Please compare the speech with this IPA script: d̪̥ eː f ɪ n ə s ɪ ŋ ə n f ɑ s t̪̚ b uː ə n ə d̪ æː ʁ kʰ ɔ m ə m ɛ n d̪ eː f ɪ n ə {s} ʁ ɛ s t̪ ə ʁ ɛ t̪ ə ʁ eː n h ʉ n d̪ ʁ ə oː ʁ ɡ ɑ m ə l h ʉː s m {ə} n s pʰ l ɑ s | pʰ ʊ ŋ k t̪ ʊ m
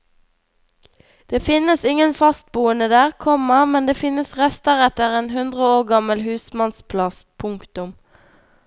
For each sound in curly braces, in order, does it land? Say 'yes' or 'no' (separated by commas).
yes, no